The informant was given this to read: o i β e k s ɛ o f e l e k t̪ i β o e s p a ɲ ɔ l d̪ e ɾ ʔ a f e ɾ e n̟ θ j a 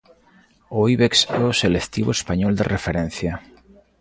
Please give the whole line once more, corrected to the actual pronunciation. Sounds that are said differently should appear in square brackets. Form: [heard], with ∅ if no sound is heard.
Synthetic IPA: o i β e k s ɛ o [s] e l e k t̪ i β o e s p a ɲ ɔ l d̪ e [r] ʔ [e] f e ɾ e n̟ θ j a